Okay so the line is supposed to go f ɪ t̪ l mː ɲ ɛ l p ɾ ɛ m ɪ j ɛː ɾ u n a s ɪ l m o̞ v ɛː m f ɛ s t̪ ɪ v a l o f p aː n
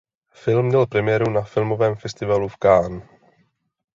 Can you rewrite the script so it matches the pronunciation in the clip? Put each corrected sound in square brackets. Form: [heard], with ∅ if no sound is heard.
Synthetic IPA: f ɪ [∅] l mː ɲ ɛ l p ɾ ɛ m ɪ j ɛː ɾ u n a [f] ɪ l m o̞ v ɛː m f ɛ s t̪ ɪ v a l [u] f [k] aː n

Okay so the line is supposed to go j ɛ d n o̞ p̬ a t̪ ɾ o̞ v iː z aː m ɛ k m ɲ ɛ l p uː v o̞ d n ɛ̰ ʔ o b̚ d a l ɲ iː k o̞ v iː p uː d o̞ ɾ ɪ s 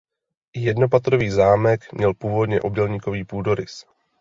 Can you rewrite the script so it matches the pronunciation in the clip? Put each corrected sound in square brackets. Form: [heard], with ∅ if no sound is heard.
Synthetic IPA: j ɛ d n o̞ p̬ a t̪ ɾ o̞ v iː z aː m ɛ k m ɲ ɛ l p uː v o̞ d [ɲ] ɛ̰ ʔ o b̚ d [ɛ] l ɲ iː k o̞ v iː p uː d o̞ ɾ ɪ s

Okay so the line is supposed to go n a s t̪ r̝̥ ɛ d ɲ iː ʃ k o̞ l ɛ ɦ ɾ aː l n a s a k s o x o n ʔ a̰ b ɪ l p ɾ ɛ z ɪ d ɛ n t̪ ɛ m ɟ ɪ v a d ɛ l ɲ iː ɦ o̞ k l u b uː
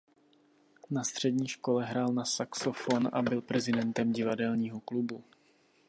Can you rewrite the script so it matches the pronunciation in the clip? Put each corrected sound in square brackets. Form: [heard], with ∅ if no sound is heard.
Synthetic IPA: n a s t̪ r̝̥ ɛ d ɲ iː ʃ k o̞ l ɛ ɦ ɾ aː l n a s a k s o [f] o n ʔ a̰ b ɪ l p ɾ ɛ z ɪ d ɛ n t̪ ɛ m ɟ ɪ v a d ɛ l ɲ iː ɦ o̞ k l u b [u]

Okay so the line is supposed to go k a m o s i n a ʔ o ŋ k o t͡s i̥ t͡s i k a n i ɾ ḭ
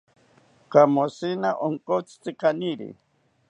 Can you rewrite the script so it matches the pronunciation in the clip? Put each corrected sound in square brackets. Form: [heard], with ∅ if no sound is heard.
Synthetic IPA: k a m o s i n a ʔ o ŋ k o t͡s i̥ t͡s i k a n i ɾ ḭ

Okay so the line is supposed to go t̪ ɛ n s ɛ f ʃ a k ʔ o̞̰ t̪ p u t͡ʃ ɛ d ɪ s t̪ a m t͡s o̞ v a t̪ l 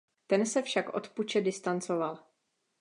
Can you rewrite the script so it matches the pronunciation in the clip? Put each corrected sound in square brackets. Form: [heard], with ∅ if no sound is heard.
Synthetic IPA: t̪ ɛ n s ɛ f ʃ a k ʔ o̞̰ t̪ p u t͡ʃ ɛ d ɪ s t̪ a [n] t͡s o̞ v a [∅] l

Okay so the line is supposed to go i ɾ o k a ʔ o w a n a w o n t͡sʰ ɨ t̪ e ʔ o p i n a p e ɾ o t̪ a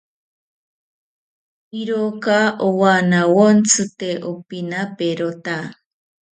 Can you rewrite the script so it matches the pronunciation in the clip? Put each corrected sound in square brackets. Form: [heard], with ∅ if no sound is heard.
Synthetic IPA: i ɾ o k a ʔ o w a n a w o n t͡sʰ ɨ t̪ e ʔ o p i n a p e ɾ o t̪ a

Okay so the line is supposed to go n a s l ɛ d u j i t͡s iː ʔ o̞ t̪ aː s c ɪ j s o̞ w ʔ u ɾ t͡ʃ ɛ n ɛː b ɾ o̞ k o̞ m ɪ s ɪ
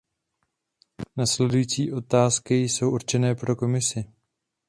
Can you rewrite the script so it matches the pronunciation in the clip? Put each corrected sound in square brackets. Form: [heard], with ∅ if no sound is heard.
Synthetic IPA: n a s l ɛ d u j i t͡s iː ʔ o̞ t̪ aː s [k] ɪ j s o̞ w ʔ u ɾ t͡ʃ ɛ n ɛː [p] ɾ o̞ k o̞ m ɪ s ɪ

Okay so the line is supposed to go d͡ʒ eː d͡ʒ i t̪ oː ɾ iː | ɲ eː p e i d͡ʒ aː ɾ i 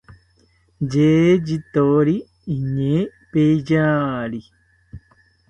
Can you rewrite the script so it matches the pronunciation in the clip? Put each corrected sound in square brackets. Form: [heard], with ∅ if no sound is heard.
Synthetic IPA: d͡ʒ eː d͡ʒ i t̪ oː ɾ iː | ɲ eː p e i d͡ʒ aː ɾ i

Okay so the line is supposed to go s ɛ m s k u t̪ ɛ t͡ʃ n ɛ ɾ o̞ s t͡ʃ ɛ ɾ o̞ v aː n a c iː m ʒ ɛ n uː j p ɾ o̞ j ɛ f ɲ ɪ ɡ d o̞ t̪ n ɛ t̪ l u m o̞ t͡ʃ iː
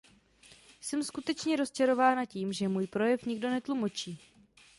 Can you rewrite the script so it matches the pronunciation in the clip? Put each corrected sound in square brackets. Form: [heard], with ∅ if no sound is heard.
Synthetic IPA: s ɛ m s k u t̪ ɛ t͡ʃ [ɲ] ɛ ɾ o̞ s t͡ʃ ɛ ɾ o̞ v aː n a c iː m ʒ ɛ [m] uː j p ɾ o̞ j ɛ f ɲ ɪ ɡ d o̞ [∅] n ɛ t̪ l u m o̞ t͡ʃ iː

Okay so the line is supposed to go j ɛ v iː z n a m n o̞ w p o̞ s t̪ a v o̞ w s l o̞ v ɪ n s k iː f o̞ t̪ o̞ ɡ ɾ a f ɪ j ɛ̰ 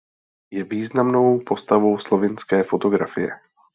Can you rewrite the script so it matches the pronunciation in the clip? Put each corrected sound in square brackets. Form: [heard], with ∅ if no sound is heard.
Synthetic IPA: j ɛ v iː z n a m n o̞ w p o̞ s t̪ a v o̞ w s l o̞ v ɪ n s k [ɛː] f o̞ t̪ o̞ ɡ ɾ a f ɪ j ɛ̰

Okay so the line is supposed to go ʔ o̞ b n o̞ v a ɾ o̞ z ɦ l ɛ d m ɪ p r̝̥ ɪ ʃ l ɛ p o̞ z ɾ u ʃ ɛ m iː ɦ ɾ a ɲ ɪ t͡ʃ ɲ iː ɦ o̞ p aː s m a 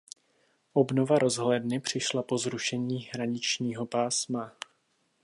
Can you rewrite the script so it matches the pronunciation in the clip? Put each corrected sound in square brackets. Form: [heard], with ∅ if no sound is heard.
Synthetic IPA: ʔ o̞ b n o̞ v a ɾ o̞ z ɦ l ɛ d [n] ɪ p r̝̥ ɪ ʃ l [a] p o̞ z ɾ u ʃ ɛ [ɲ] iː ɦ ɾ a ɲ ɪ t͡ʃ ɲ iː ɦ o̞ p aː s m a

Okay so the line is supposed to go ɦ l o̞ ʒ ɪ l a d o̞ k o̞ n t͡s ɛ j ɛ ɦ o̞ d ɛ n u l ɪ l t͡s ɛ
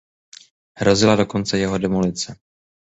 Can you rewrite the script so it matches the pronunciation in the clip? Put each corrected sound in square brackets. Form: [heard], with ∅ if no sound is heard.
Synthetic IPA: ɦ [ɾ] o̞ [z] ɪ l a d o̞ k o̞ n t͡s ɛ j ɛ ɦ o̞ d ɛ [m] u l ɪ [∅] t͡s ɛ

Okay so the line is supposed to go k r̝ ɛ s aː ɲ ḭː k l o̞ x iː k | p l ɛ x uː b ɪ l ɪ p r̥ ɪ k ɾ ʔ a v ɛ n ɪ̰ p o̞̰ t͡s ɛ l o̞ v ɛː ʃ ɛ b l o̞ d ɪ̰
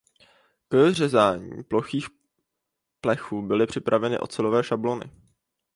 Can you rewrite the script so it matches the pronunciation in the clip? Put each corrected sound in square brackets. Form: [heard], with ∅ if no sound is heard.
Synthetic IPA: k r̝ ɛ [z] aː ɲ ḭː [p] l o̞ x iː [x] | p l ɛ x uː b ɪ l ɪ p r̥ ɪ [p] ɾ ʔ a v ɛ n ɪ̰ [ʔ] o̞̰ t͡s ɛ l o̞ v ɛː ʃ [a] b l o̞ [n] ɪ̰

